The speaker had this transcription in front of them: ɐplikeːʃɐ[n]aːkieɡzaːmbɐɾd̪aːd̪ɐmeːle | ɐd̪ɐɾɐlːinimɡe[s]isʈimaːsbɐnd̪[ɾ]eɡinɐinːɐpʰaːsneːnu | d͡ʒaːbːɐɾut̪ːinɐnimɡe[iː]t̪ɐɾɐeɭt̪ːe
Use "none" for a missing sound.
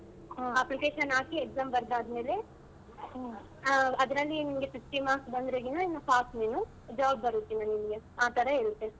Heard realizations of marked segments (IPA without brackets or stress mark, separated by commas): n, s, ɾ, aː